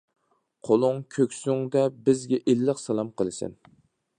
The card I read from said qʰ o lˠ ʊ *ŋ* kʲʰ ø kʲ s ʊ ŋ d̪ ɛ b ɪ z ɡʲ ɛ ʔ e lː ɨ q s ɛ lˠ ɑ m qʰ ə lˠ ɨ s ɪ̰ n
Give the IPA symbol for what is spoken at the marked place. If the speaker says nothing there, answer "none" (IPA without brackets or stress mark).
ŋ